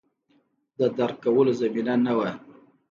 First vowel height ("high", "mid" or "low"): mid